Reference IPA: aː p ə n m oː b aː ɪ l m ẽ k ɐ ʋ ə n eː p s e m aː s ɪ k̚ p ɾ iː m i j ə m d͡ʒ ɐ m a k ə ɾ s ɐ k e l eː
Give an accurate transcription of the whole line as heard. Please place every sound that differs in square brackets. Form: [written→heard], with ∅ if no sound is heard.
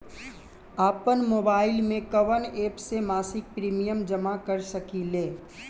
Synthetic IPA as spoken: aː p ə n m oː b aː ɪ l m ẽ k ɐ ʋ ə n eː p s e m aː s ɪ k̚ p ɾ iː m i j ə m d͡ʒ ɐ m a k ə ɾ s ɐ k [e→i] l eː